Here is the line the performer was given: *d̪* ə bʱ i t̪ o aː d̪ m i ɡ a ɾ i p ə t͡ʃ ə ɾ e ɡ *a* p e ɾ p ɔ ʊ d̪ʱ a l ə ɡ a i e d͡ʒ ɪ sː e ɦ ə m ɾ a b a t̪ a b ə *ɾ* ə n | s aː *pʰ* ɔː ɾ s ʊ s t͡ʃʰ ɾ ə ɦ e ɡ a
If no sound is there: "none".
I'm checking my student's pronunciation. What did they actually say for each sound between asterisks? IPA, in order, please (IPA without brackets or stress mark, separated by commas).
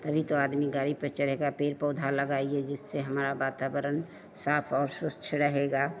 t̪, a, ɾ, pʰ